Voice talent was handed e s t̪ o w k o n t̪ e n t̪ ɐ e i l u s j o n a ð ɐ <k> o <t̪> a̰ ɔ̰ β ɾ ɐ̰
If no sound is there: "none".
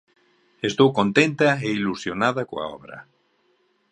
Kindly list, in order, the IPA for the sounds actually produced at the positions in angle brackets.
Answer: k, none

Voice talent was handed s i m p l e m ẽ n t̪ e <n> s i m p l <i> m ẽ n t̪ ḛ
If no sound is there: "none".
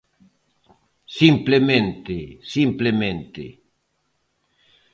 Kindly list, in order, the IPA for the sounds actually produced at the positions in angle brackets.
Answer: none, e

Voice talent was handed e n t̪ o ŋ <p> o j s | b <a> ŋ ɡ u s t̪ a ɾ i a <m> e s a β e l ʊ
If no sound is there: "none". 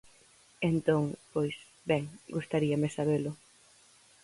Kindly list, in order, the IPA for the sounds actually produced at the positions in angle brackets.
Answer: p, ɛ, m

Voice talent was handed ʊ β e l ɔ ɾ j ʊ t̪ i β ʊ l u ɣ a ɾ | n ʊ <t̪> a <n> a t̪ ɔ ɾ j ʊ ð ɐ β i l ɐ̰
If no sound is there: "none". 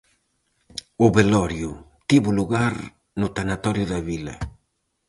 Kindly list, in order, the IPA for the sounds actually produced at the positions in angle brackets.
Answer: t̪, n

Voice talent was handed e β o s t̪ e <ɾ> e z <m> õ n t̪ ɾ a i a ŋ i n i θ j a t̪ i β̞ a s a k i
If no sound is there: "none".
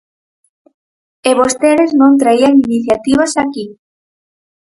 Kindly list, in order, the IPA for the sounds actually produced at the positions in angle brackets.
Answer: ɾ, n

